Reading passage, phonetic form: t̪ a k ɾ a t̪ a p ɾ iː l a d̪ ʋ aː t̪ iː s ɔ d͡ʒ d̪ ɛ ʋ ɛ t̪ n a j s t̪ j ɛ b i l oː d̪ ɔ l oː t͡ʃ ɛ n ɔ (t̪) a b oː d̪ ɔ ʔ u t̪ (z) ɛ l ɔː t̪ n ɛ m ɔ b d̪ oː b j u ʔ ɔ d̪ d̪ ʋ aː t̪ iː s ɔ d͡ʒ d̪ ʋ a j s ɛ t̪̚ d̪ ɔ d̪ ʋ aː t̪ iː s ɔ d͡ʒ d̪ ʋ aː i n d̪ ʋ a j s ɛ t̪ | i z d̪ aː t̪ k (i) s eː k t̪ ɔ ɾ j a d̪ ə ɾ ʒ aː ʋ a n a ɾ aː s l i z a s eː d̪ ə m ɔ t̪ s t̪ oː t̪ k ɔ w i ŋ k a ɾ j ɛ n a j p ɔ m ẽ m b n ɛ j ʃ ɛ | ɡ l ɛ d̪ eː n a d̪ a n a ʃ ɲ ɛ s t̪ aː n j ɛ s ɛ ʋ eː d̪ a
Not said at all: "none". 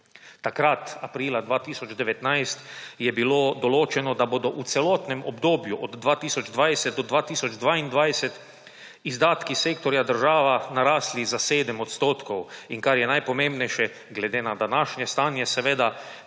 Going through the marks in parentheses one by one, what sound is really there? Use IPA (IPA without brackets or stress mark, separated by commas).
d̪, s, i